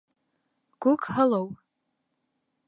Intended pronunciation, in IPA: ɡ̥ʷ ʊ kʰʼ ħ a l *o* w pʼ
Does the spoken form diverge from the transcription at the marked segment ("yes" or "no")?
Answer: no